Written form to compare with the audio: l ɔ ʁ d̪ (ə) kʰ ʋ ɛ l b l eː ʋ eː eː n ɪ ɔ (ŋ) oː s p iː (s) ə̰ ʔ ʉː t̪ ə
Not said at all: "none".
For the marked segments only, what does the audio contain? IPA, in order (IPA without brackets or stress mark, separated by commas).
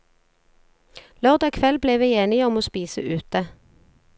ɑ, m, s